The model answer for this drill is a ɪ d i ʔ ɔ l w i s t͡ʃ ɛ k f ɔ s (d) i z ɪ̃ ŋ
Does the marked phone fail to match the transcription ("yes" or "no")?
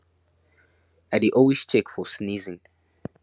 yes